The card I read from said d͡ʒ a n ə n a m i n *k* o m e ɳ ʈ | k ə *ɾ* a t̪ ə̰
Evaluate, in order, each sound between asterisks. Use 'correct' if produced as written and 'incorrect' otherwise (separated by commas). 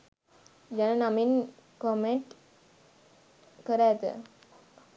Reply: correct, correct